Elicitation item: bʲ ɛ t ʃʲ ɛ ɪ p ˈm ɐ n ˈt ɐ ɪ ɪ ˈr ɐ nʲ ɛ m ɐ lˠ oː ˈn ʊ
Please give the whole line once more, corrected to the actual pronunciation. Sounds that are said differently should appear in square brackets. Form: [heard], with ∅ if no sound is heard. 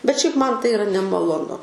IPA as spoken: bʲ ɛ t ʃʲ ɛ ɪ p ˈm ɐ n ˈt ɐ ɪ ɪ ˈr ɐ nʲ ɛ m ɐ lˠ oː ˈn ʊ